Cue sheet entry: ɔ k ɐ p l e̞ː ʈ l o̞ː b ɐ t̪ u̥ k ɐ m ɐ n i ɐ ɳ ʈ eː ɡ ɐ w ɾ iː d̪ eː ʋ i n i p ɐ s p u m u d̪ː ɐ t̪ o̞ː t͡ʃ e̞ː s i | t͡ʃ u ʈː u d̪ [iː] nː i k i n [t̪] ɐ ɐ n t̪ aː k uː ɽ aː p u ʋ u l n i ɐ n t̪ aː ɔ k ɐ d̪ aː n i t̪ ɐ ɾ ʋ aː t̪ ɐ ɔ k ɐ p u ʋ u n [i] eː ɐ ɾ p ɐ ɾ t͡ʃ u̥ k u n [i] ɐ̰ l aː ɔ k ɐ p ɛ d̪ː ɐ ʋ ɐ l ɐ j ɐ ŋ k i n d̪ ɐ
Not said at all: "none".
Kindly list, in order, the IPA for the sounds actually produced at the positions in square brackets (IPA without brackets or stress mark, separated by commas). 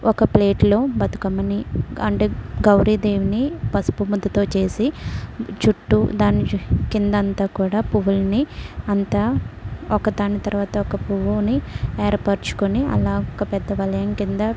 aː, d̪, i, i